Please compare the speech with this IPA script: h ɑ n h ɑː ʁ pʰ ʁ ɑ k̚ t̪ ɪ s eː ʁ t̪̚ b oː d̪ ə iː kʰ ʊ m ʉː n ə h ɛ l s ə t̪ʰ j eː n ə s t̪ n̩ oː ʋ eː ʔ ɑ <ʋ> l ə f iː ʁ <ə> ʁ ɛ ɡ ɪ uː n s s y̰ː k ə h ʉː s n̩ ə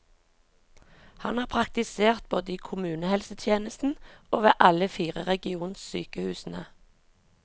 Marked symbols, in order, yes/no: no, yes

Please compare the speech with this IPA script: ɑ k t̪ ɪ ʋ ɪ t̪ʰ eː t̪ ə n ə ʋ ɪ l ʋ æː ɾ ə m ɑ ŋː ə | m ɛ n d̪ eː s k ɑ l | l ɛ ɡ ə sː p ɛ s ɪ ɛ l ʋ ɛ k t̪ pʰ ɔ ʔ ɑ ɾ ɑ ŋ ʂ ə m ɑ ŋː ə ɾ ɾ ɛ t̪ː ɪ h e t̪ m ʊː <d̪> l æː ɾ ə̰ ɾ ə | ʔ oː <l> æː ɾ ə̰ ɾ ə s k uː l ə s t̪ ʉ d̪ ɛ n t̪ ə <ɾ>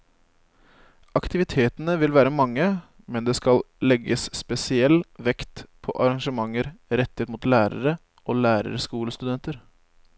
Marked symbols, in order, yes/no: no, yes, yes

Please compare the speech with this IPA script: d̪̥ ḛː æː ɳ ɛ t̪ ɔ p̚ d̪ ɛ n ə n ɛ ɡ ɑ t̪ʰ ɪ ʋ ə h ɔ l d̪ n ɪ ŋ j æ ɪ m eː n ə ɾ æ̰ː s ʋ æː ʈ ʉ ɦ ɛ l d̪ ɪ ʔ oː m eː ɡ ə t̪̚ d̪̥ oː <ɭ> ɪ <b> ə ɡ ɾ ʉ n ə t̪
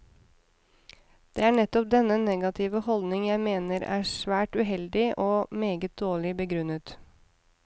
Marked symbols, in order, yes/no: yes, yes

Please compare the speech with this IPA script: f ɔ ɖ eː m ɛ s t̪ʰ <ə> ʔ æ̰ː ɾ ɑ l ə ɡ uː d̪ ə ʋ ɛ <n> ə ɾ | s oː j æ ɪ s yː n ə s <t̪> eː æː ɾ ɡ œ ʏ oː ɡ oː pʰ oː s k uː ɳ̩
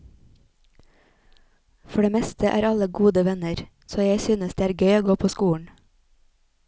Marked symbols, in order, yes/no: yes, yes, no

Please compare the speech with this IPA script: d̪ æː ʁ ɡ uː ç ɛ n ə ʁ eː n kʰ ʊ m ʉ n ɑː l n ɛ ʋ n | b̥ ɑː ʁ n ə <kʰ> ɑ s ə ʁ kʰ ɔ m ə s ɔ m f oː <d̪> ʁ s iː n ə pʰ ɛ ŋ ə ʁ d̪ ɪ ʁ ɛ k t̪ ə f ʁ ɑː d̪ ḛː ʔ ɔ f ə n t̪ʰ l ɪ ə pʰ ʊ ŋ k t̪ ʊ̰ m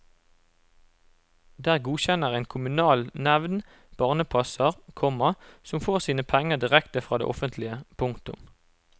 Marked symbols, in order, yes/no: no, no

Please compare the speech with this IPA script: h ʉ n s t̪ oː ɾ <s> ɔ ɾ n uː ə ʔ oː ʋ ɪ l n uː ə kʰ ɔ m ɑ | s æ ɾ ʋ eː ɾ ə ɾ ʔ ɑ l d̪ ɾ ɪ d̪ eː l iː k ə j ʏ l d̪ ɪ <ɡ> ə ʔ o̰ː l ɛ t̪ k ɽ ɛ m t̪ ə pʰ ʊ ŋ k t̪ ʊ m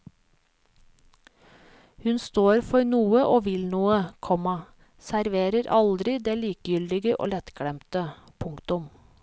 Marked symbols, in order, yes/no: no, yes

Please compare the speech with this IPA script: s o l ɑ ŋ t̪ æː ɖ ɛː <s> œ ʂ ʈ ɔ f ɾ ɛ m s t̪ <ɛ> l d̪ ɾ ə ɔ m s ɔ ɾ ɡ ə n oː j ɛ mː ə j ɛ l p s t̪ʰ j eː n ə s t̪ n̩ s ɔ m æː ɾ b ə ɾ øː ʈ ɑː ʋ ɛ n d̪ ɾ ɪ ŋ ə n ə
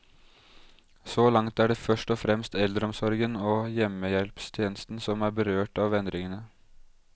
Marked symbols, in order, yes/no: no, yes

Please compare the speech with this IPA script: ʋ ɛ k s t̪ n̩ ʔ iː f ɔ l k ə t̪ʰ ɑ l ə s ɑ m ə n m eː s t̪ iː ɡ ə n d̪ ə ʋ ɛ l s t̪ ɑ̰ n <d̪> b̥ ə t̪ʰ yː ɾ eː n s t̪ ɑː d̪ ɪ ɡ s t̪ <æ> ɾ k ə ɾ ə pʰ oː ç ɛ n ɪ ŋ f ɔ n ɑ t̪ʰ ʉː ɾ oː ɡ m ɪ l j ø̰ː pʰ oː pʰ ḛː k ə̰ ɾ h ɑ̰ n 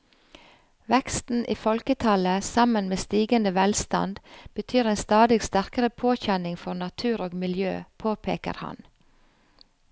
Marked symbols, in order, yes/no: yes, yes

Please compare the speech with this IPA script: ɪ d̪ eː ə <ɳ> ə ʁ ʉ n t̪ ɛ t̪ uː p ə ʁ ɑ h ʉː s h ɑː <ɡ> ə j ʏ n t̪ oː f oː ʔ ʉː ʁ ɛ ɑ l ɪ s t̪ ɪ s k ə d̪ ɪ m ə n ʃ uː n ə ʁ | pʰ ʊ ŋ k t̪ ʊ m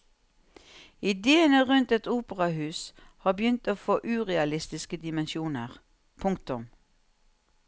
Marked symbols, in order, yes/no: no, no

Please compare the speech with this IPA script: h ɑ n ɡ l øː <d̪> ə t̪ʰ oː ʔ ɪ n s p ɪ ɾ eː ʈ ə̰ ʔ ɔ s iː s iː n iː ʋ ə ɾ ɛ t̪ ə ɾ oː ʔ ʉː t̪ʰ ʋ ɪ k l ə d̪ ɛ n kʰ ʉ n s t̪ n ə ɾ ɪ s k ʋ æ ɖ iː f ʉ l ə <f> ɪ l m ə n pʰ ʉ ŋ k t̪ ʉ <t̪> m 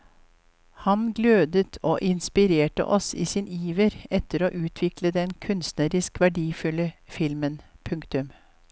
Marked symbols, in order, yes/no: yes, yes, no

